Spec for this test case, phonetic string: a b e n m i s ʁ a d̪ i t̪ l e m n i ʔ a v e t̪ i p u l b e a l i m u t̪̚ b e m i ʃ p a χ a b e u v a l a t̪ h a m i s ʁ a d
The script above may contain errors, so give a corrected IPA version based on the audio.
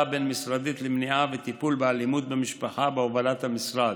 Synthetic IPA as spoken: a b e n m i s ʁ a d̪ i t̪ l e m n i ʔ a v e t̪ i p u l b e a l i m u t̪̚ b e m i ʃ p a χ a b e o v a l a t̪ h a m i s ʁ a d